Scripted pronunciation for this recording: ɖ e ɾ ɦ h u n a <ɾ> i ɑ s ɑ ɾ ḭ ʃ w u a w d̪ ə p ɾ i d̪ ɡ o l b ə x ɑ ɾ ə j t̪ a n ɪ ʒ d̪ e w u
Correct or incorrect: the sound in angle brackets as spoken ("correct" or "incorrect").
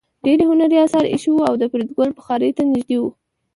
correct